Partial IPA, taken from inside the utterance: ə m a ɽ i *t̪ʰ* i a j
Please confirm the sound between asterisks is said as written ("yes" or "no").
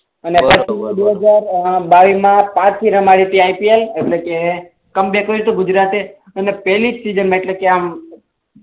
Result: no